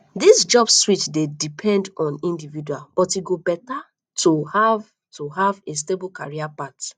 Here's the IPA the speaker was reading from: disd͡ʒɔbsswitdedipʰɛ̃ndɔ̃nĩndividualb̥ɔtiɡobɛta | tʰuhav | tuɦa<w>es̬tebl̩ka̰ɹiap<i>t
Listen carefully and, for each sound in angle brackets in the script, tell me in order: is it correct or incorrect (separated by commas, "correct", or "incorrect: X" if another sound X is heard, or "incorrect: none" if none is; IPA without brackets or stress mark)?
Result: incorrect: v, incorrect: a